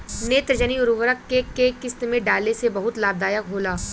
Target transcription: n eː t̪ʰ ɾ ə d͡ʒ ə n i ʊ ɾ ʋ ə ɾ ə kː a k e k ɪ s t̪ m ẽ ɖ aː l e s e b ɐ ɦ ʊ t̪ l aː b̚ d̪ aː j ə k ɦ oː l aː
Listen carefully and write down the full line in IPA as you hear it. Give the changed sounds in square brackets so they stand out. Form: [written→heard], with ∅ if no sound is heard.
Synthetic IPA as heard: n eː [t̪ʰ→t̪] ɾ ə d͡ʒ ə n i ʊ ɾ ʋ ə ɾ ə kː [a→e] k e k ɪ s t̪ m ẽ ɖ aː l e s e b ɐ ɦ ʊ t̪ l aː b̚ d̪ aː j ə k ɦ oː l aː